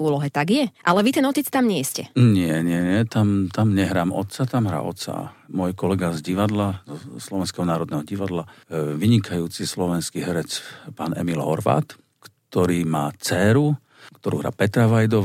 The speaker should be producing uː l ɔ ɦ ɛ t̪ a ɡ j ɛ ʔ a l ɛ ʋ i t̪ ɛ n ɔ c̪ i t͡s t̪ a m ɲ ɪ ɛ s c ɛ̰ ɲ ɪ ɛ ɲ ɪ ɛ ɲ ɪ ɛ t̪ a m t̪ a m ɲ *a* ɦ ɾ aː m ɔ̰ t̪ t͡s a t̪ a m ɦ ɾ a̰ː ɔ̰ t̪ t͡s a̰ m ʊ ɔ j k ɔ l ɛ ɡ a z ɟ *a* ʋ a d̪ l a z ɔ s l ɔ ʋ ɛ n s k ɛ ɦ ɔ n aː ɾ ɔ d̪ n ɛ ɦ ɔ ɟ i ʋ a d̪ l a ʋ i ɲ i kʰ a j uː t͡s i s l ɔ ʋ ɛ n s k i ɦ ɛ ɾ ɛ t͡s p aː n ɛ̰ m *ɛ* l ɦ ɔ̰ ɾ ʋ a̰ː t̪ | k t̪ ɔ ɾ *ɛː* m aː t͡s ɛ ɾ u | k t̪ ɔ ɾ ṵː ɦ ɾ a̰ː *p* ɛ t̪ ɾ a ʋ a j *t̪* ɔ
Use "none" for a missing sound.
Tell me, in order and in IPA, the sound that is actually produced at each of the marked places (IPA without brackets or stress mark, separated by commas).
ɛ, i, i, iː, p, d̪